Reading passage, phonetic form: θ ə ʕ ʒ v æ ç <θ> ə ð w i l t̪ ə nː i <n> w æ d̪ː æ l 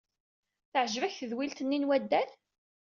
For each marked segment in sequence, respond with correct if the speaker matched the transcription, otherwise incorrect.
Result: correct, correct

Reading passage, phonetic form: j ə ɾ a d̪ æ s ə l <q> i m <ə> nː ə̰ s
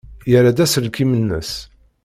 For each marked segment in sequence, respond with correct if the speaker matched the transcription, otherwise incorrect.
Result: incorrect: k, correct

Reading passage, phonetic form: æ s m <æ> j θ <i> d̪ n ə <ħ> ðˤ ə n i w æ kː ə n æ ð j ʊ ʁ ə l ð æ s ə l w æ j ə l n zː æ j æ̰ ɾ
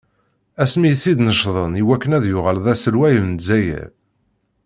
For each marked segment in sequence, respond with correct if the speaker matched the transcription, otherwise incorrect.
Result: incorrect: i, correct, incorrect: ʃ

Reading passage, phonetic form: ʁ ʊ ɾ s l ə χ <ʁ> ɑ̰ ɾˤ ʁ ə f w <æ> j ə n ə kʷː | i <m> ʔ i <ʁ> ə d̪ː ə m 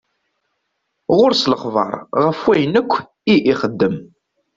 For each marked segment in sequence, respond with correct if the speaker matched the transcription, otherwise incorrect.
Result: incorrect: v, correct, incorrect: none, incorrect: χ

